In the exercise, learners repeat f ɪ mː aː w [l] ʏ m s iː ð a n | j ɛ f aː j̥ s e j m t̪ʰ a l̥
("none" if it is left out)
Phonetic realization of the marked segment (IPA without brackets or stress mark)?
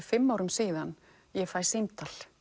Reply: ɾ